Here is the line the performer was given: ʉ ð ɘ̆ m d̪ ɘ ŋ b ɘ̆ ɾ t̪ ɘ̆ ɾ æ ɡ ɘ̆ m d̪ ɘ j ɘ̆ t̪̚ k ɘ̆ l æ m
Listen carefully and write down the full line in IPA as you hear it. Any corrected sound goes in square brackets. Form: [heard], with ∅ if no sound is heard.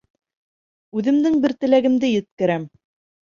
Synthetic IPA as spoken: ʉ ð ɘ̆ m d̪ ɘ ŋ b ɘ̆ ɾ t̪ ɘ̆ [l] æ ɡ ɘ̆ m d̪ ɘ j ɘ̆ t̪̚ k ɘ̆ [ɾ] æ m